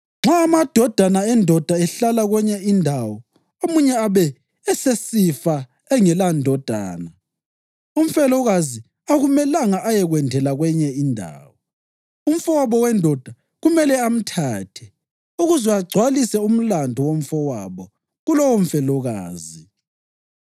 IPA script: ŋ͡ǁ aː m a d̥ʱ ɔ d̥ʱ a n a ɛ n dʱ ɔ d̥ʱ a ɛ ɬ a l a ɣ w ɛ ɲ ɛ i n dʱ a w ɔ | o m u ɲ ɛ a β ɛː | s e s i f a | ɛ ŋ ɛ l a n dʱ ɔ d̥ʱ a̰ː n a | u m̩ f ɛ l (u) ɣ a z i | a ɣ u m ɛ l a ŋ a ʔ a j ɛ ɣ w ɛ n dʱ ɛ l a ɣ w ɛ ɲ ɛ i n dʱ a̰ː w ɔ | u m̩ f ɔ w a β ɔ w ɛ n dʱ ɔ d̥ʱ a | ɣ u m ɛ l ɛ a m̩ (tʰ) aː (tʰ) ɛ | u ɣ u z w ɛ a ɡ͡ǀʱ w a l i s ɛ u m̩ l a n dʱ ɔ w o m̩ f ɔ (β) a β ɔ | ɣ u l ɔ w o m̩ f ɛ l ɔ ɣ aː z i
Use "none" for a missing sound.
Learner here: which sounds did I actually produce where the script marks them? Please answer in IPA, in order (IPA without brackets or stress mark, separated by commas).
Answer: ɔ, tʰ, tʰ, w